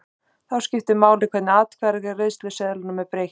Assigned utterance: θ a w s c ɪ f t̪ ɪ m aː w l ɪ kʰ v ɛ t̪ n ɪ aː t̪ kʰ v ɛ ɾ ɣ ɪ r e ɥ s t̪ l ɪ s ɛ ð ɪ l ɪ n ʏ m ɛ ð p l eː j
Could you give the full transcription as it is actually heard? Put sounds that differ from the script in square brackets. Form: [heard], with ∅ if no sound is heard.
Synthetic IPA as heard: θ a w s c ɪ f t̪ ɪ m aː w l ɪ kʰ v ɛ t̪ n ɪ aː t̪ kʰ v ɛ ɾ ɣ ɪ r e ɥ s t̪ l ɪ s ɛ ð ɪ l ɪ n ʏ m ɛ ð p [ɾ] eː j